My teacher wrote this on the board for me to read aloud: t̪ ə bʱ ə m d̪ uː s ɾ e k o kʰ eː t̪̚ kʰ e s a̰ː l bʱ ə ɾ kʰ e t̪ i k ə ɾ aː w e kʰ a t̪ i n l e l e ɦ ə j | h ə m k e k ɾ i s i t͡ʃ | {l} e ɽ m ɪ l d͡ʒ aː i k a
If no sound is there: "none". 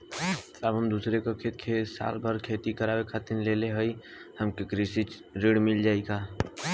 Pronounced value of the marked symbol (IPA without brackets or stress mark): ɾ